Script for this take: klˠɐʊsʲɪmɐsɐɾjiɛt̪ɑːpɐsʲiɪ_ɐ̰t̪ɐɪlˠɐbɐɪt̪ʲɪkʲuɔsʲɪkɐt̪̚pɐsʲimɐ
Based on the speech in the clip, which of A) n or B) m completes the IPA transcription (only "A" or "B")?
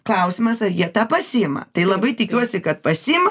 B